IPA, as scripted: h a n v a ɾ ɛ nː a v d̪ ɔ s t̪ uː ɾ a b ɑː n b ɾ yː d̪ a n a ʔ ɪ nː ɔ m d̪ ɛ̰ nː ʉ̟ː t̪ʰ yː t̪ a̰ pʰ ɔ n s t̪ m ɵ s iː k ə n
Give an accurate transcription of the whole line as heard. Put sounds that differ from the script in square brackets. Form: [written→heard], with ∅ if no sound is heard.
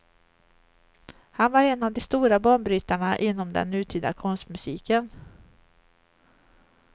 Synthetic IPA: h a n v a ɾ ɛ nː a v d̪ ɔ s t̪ uː ɾ a b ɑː [n→ɳ] b ɾ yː [d̪→t̪] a [n→ɳ] a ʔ ɪ nː ɔ m d̪ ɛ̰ nː ʉ̟ː t̪ʰ yː [t̪→d̪] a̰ [pʰ→kʰ] ɔ n s t̪ m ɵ s iː k ə n